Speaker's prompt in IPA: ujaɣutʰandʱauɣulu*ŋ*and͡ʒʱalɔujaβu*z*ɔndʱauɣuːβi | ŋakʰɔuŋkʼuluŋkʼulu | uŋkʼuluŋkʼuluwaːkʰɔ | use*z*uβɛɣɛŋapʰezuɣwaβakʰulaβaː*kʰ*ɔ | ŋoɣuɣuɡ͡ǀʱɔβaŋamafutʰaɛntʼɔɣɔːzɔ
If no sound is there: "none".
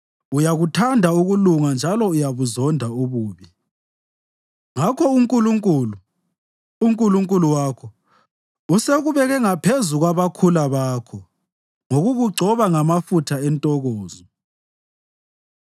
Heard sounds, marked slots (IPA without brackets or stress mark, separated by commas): ŋ, z, ɣ, kʰ